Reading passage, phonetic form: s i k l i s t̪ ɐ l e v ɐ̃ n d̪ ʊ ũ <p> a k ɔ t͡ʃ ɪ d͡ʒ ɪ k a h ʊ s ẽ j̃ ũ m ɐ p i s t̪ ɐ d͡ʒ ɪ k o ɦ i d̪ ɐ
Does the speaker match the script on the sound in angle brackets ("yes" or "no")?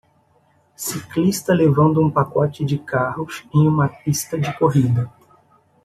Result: yes